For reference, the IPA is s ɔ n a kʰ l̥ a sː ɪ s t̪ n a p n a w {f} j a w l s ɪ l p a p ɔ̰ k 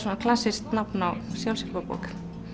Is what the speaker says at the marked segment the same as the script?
no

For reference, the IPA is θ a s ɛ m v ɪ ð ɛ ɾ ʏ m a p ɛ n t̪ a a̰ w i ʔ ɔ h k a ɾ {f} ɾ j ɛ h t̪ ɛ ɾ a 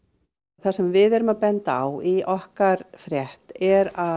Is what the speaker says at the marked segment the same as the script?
yes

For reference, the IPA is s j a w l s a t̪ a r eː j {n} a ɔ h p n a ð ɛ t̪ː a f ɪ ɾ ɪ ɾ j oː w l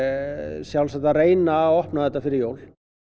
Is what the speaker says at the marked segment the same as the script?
yes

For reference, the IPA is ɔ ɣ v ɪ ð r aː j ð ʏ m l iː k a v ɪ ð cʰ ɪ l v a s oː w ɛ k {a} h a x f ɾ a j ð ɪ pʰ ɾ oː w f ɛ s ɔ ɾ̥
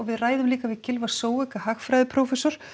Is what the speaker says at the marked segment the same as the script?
yes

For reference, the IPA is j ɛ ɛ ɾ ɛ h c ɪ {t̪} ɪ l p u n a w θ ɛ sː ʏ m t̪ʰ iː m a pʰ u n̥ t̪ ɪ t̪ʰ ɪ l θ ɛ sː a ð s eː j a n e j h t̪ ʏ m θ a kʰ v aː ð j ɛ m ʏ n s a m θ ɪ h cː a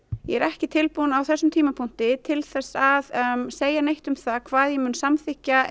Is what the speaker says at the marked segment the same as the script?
no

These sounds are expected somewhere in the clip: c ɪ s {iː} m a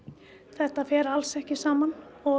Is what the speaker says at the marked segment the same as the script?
no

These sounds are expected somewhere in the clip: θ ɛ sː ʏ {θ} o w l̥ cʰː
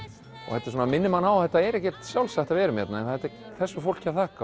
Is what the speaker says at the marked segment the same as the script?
no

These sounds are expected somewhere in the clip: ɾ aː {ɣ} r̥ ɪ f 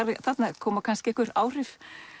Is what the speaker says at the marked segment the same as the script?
no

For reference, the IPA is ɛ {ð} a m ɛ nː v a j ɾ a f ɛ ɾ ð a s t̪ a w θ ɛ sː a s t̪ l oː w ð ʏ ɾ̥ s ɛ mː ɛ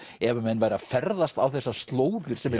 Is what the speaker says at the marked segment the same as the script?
no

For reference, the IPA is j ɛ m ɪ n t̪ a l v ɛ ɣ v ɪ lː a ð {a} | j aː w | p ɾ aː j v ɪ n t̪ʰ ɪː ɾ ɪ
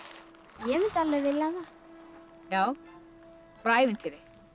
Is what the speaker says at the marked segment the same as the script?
yes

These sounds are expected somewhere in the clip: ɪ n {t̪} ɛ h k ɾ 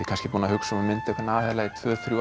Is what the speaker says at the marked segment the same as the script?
yes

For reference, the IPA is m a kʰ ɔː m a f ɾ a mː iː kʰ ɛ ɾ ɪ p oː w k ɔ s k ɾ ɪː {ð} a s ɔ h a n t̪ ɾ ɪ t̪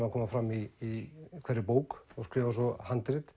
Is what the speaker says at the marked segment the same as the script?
no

